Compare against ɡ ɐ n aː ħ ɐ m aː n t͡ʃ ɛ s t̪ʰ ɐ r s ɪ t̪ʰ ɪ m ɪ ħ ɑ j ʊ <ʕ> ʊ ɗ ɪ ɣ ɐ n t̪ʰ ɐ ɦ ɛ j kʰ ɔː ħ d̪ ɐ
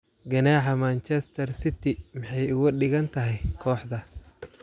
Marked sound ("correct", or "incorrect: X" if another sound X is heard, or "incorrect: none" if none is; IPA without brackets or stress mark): incorrect: ɣ